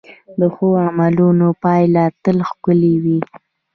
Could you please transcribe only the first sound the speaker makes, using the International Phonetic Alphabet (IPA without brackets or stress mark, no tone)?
d̪